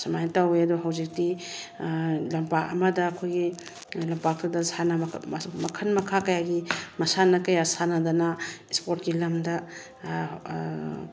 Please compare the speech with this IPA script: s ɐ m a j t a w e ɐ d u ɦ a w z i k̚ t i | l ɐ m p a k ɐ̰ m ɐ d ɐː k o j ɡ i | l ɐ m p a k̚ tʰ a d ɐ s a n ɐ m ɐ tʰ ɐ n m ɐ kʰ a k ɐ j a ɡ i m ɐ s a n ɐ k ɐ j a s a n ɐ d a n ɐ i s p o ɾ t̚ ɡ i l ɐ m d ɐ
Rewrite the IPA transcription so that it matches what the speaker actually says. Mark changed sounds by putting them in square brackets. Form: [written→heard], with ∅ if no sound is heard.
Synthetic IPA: s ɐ m a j t a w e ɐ d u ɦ a w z i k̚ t i | l ɐ m p a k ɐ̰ m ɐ d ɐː [k→kʰ] o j ɡ i | l ɐ m p a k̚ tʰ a d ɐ s a n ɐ m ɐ [tʰ→kʰ] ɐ n m ɐ kʰ a k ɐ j a ɡ i m ɐ s a n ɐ k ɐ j a s a n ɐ d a n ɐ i s p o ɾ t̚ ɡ i l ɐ m d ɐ